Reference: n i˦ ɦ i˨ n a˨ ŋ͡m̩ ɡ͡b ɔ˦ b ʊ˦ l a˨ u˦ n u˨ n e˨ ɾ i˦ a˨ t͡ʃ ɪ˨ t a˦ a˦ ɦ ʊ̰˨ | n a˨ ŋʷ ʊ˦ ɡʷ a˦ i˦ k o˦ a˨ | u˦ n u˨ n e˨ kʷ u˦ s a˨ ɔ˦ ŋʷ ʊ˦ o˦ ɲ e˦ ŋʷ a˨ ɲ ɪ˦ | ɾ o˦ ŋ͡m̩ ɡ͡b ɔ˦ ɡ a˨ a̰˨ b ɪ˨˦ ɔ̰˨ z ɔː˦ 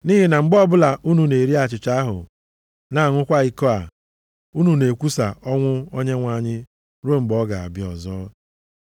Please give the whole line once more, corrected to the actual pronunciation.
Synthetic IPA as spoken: n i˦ ɦ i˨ n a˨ ŋ͡m̩ ɡ͡b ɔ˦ b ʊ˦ l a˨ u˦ n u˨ n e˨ ɾ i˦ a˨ t͡ʃ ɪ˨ t͡ʃ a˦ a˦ ɦ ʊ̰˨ | n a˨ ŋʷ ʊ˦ kʷ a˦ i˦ k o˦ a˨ | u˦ n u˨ n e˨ kʷ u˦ s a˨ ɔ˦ ŋʷ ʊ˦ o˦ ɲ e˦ ŋʷ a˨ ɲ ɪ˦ | ɾ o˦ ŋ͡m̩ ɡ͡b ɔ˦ ɡ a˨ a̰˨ b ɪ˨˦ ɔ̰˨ z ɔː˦